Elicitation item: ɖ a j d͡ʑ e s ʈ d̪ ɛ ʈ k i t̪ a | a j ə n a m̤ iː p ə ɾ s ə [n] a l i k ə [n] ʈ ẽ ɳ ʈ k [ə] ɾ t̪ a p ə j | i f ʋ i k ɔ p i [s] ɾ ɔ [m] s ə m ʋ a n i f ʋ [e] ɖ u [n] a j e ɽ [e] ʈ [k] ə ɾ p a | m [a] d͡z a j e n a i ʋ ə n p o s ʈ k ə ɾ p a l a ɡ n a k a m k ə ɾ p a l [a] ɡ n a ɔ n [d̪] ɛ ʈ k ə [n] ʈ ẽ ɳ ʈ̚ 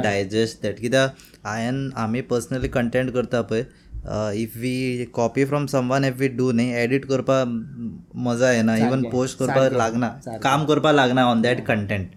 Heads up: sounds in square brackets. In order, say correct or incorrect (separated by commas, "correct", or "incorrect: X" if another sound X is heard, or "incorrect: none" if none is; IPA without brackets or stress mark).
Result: correct, incorrect: ɳ, correct, incorrect: f, correct, incorrect: i, correct, incorrect: i, correct, incorrect: ə, correct, correct, incorrect: ɳ